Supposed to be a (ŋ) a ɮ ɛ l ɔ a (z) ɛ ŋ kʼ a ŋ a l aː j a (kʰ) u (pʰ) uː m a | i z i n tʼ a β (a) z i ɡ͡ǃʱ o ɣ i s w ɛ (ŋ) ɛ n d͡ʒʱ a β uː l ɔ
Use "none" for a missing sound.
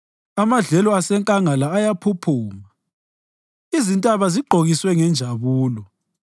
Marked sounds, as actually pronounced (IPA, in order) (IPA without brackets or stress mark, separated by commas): m, s, pʰ, pʰ, a, ŋ